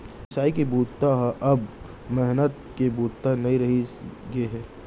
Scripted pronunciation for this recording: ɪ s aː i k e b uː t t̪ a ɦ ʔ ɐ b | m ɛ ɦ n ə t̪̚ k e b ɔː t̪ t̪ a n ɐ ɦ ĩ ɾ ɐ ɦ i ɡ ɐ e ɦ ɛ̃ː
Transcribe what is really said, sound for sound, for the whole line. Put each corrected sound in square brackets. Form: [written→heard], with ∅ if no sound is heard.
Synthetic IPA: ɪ s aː i k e b uː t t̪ a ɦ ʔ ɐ b | m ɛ ɦ n ə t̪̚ k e b [ɔː→uː] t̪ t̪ a n ɐ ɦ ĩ ɾ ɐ ɦ i ɡ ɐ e ɦ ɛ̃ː